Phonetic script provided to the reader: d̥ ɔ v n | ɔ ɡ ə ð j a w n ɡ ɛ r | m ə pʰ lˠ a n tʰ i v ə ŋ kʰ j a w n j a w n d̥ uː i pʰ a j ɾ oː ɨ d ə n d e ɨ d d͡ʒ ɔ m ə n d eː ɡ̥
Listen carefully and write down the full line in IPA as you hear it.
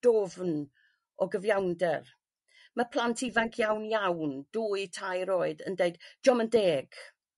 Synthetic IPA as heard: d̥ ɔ v n | ɔ ɡ ə v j a w n d ɛ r | m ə pʰ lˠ a n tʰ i v a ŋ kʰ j a w n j a w n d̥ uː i tʰ a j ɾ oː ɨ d ə n d e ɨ d d͡ʒ ɔ m ə n d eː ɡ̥